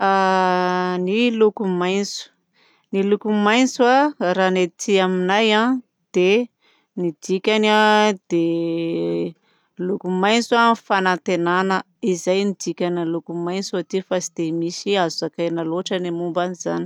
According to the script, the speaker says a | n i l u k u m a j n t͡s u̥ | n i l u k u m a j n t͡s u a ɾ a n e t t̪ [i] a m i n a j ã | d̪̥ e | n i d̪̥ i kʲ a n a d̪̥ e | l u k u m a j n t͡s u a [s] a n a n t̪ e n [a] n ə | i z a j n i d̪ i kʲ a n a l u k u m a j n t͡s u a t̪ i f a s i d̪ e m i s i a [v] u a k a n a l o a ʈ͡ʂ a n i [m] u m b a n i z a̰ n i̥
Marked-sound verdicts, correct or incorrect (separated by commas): correct, incorrect, correct, incorrect, correct